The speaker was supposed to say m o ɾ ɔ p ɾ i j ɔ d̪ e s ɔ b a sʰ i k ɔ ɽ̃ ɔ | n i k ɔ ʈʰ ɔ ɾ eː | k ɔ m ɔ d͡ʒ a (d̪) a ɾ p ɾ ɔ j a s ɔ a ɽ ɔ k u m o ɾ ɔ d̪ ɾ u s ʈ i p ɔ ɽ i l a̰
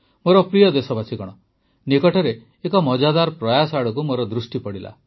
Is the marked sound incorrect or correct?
correct